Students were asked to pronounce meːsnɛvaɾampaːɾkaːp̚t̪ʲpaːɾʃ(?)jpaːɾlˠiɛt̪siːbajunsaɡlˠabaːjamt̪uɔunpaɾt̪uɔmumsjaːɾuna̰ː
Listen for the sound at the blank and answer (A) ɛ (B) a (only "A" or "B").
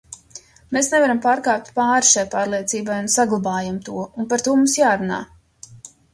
B